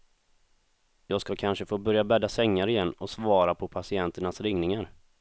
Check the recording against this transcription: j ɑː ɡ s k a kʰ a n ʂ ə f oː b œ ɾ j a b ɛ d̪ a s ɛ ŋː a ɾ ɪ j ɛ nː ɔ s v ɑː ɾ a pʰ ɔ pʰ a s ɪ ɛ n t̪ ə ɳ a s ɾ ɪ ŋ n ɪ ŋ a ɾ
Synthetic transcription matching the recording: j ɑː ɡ s k a kʰ a n ʂ ə f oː b œ ɾ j a b ɛ d̪ a s ɛ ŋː a ɾ ɪ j ɛ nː ɔ s v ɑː ɾ a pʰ ɔ pʰ a s ɪ ɛ n t̪ ə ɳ a s ɾ ɪ ŋ n ɪ ŋ a ɾ